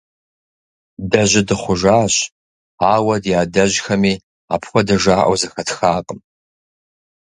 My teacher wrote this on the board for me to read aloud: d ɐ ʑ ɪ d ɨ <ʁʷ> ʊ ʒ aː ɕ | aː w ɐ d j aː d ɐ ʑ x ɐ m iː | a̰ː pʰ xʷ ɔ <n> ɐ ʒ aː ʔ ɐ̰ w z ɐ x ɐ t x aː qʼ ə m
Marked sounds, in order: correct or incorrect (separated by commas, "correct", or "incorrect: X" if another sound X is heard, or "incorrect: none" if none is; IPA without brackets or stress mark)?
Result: incorrect: χʷ, incorrect: d